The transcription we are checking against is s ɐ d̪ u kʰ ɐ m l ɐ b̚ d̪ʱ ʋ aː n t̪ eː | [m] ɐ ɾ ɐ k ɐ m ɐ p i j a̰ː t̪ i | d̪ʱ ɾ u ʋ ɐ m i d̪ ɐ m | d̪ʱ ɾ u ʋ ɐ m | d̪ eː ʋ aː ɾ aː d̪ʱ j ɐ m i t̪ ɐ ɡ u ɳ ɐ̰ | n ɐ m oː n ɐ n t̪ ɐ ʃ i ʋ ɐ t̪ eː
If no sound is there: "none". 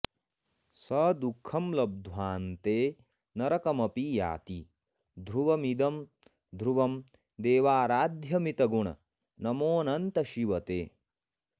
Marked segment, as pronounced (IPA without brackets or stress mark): n